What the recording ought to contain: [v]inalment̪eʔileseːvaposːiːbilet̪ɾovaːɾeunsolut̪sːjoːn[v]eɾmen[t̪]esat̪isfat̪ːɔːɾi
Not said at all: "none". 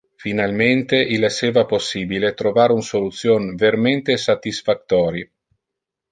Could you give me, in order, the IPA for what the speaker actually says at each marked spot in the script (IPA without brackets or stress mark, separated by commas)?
f, v, t̪